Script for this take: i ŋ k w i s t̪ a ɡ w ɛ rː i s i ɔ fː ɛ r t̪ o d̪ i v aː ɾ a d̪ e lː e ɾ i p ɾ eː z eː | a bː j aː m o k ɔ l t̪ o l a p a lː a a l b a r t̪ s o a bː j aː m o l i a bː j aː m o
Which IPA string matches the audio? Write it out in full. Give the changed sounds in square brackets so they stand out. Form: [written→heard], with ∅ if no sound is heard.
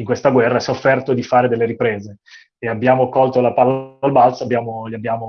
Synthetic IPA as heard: i ŋ k w [i→e] s t̪ a ɡ w ɛ rː [i→a] s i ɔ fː ɛ r t̪ o d̪ i [v→f] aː ɾ [a→e] d̪ e lː e ɾ i p ɾ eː z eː | a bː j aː m o k ɔ l t̪ o l a p a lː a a l b a [r→l] t̪ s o a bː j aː m o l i a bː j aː m o

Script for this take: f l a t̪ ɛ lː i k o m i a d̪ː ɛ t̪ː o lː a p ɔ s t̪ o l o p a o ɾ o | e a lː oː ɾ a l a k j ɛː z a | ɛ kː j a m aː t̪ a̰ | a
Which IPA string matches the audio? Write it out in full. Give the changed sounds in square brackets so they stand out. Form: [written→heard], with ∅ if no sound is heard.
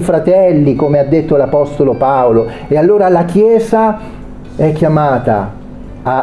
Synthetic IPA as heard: f [l→ɾ] a t̪ ɛ lː i k o m [i→e] a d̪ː [ɛ→e] t̪ː o [lː→l] a p ɔ s t̪ o l o p a o [ɾ→l] o | e a lː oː ɾ a l a k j ɛː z a | ɛ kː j a m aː t̪ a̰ | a

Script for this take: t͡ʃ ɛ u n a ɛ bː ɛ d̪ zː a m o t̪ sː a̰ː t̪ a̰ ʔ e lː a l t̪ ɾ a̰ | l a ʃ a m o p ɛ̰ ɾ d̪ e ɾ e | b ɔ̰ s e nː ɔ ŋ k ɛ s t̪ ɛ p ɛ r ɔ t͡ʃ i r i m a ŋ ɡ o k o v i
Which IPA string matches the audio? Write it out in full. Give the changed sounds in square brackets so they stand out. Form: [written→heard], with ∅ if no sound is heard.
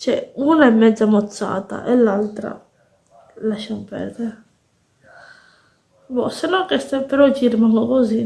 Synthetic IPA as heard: t͡ʃ ɛ u n a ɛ [bː→mː] ɛ d̪ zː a m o t̪ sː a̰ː t̪ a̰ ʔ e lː a l t̪ ɾ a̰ | l a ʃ a m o p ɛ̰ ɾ d̪ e ɾ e | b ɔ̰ s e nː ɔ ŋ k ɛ s t̪ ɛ p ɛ [r→ɾ] ɔ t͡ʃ i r i m a ŋ ɡ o k o [v→z] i

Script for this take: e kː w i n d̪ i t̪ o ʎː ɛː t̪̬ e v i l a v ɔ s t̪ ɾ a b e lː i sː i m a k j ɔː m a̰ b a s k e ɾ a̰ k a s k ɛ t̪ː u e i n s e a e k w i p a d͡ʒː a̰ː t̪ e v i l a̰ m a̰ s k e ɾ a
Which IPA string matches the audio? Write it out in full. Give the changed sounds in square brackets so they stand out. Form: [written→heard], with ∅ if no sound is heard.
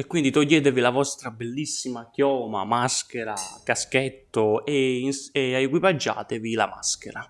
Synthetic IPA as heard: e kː w i n d̪ i t̪ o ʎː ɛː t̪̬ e v i l a v ɔ s t̪ ɾ a b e lː i sː i m a k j ɔː m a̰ [b→m] a s k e ɾ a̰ k a s k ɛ t̪ː [u→o] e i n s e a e k w i p a d͡ʒː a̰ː t̪ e v i l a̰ m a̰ s k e ɾ a

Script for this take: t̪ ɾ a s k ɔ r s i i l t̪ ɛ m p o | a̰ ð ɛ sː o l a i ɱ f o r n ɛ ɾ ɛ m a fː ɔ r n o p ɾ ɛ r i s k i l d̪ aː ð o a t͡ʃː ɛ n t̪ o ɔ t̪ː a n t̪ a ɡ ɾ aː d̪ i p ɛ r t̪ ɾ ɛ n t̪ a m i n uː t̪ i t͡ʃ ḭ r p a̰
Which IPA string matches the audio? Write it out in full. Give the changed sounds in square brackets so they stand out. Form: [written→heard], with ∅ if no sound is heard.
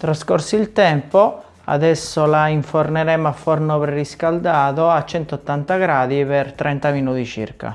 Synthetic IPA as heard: t̪ ɾ a s k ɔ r s i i l t̪ ɛ m p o | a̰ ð ɛ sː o l a i ɱ f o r n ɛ ɾ ɛ m a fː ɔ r n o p ɾ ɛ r i s k [i→a] l d̪ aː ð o a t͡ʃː ɛ n t̪ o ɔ t̪ː a n t̪ a ɡ ɾ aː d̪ i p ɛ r t̪ ɾ ɛ n t̪ a m i n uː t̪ i t͡ʃ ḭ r [p→k] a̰

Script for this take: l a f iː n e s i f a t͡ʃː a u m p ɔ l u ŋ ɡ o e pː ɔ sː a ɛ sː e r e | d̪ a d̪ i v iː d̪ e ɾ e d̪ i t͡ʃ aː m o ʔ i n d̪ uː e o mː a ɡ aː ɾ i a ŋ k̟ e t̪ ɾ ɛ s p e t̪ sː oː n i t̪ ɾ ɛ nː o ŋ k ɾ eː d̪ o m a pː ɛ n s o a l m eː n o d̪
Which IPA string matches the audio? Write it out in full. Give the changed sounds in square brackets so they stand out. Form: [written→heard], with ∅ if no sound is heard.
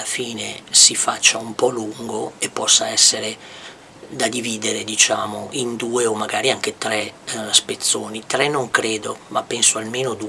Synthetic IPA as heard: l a f iː n e s i f a t͡ʃː a u m p ɔ l u ŋ ɡ o e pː ɔ sː a ɛ sː e [r→ɾ] e | d̪ a d̪ i v iː d̪ e ɾ e d̪ i t͡ʃ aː m o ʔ i n d̪ uː e o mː a ɡ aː ɾ i a ŋ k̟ e t̪ ɾ ɛ s p e t̪ sː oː n i t̪ ɾ ɛ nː o ŋ k ɾ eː d̪ o m a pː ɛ n s o a l m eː n o d̪

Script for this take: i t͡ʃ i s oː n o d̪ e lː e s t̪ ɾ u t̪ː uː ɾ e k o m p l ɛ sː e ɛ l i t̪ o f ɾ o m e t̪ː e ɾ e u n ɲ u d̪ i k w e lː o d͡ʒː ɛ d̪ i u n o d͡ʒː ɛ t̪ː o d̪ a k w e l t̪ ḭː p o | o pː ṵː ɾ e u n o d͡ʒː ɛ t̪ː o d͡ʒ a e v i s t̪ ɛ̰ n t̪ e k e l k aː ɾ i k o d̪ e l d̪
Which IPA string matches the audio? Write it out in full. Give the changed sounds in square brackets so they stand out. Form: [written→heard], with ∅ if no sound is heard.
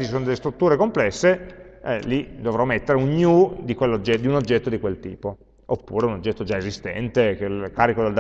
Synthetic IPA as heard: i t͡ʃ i s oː n o d̪ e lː e s t̪ ɾ u t̪ː uː ɾ e k o m p l ɛ sː e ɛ l i [t̪→d̪] o [f→v] ɾ [o→ɔ] m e t̪ː e ɾ e u n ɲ u d̪ i k w e lː o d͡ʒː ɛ d̪ i u n o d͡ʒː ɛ t̪ː o d̪ [a→i] k w e l t̪ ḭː p o | o pː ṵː ɾ e u n o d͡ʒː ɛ t̪ː o d͡ʒ a e [v→z] i s t̪ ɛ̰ n t̪ e k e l k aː ɾ i k o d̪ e l d̪

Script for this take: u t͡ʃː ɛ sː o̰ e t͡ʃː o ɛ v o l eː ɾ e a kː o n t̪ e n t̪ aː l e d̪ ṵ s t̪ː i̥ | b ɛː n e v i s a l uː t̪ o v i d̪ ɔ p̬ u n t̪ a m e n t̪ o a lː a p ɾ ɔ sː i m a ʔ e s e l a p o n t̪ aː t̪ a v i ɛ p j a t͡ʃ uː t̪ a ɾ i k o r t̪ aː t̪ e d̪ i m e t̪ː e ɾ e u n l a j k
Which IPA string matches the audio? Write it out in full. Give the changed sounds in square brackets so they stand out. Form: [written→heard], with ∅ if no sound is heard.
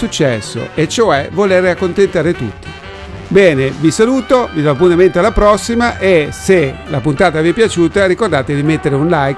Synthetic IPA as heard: u t͡ʃː ɛ sː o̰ e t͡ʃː o ɛ v o l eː ɾ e a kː o n t̪ e n t̪ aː [l→ɾ] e [d̪→t̪] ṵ [s→∅] t̪ː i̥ | b ɛː n e v i s a l uː t̪ o v i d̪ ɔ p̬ u n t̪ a m e n t̪ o a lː a p ɾ ɔ sː i m a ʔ e s e l a p [o→u] n t̪ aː t̪ a v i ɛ p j a t͡ʃ uː t̪ a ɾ i k o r [t̪→d̪] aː t̪ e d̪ i m e t̪ː e ɾ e u n l a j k

